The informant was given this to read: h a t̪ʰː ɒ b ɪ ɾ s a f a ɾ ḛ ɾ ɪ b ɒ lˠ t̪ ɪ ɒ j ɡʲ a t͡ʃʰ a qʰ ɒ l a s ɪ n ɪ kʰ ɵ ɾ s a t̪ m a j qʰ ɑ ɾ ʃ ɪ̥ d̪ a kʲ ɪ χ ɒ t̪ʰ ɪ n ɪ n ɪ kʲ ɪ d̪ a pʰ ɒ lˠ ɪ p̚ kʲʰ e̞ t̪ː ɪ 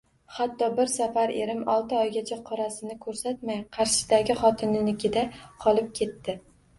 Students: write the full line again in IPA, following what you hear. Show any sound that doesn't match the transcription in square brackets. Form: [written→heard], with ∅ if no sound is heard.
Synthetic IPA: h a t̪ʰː ɒ b ɪ ɾ s a f a ɾ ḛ ɾ ɪ [b→m] ɒ lˠ t̪ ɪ ɒ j ɡʲ a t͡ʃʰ a qʰ ɒ [l→ɾ] a s ɪ n ɪ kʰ ɵ ɾ s a t̪ m a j qʰ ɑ ɾ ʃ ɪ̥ d̪ a [kʲ→ɡʲ] ɪ χ ɒ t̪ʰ ɪ n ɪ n ɪ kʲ ɪ d̪ a [pʰ→qʰ] ɒ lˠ ɪ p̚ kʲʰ e̞ t̪ː ɪ